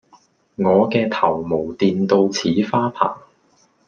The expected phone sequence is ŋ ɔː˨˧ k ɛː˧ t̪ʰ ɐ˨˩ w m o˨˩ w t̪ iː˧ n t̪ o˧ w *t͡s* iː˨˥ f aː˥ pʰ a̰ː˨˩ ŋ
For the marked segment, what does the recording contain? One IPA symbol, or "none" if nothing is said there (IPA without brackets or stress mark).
t͡sʰ